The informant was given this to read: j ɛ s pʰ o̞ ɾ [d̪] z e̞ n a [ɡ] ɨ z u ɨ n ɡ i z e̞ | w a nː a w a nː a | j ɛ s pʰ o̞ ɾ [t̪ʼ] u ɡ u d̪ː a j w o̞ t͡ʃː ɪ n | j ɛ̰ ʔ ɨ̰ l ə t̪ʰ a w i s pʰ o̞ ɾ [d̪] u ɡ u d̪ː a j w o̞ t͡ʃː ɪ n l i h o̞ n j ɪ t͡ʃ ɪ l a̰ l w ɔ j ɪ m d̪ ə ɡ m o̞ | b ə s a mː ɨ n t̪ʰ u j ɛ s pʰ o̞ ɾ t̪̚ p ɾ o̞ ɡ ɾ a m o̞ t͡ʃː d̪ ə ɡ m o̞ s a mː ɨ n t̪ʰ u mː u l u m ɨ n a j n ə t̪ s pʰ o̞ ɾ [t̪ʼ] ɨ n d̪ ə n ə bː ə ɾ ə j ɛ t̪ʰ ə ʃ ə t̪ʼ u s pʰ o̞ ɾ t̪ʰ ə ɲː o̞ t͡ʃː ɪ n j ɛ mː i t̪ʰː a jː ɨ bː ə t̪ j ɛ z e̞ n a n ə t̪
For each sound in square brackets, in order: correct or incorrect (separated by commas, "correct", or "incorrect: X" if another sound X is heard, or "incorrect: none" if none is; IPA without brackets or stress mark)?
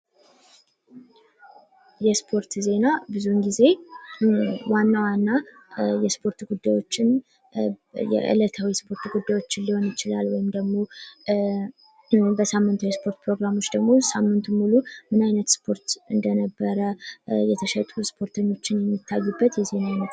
incorrect: t̪, incorrect: b, incorrect: t̪, incorrect: t̪, incorrect: t̪